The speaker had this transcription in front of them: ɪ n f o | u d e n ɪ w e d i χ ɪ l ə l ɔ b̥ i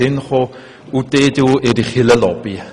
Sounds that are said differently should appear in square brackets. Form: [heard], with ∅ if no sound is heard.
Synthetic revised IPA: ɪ n [χ] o | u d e [d] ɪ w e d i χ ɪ l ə l ɔ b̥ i